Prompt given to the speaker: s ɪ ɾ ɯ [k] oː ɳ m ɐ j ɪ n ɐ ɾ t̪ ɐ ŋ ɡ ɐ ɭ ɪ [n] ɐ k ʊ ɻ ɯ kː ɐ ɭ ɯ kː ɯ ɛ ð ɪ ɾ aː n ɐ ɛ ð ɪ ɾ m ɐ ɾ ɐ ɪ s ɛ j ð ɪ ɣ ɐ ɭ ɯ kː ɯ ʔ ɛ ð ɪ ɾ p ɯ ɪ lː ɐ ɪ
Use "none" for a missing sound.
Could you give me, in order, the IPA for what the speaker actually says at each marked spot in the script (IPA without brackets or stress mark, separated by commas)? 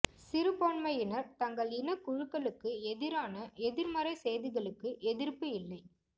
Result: p, n